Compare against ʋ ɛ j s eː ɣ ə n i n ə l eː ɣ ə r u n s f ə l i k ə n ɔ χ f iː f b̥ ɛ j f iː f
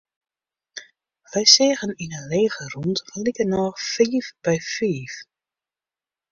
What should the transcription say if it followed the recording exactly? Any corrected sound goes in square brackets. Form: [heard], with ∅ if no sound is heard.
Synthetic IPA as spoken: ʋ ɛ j s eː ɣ ə n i n ə l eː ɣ ə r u n [t] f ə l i k ə n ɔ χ f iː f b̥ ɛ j f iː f